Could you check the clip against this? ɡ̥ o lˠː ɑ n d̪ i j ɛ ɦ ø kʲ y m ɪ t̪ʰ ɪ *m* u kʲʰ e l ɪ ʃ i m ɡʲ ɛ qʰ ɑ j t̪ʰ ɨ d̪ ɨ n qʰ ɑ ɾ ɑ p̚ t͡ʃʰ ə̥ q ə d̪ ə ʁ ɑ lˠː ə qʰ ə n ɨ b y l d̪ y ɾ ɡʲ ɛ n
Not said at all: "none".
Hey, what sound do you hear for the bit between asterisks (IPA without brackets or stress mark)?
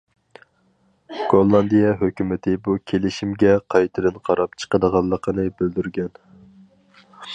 b